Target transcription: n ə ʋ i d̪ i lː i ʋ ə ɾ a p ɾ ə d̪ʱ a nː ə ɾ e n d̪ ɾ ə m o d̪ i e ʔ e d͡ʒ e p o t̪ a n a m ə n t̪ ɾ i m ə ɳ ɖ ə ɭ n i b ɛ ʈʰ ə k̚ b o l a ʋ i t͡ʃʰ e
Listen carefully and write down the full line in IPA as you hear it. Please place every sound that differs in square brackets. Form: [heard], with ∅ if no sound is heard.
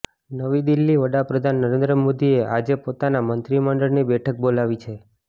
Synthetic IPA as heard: n ə ʋ i d̪ i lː i ʋ ə [ɽ] a p ɾ ə d̪ʱ a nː ə ɾ e n d̪ ɾ ə m o d̪ i e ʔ [a] d͡ʒ e p o t̪ a n a m ə n t̪ ɾ i m ə ɳ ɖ ə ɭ n i b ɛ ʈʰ ə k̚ b o l a ʋ i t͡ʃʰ e